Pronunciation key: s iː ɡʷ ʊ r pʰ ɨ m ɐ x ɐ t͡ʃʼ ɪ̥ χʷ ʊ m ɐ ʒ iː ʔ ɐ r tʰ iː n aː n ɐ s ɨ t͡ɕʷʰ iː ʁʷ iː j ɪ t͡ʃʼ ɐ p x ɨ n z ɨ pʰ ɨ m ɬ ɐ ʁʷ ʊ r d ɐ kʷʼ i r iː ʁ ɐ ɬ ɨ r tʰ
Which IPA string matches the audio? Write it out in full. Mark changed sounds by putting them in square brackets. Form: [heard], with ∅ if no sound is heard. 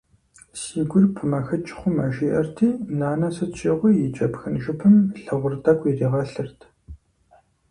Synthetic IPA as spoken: s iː ɡʷ ʊ r pʰ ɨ m ɐ x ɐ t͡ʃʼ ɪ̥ χʷ ʊ m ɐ ʒ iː ʔ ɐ r tʰ iː n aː n ɐ s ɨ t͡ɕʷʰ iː ʁʷ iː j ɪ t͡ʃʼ ɐ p x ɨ n [ʒ] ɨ pʰ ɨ m ɬ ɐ ʁʷ ʊ r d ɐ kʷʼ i r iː ʁ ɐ ɬ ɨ r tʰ